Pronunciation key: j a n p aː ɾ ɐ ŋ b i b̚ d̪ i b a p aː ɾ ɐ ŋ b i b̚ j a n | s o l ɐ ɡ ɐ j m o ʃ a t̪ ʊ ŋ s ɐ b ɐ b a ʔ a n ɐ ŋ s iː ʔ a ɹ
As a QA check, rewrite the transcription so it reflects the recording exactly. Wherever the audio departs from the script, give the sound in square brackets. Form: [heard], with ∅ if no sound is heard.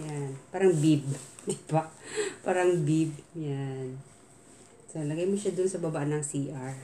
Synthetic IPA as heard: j a n p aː ɾ ɐ ŋ b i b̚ d̪ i b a p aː ɾ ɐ ŋ b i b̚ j a n | s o l ɐ ɡ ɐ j m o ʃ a [d̪] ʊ [n] s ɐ b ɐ b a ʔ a n ɐ ŋ s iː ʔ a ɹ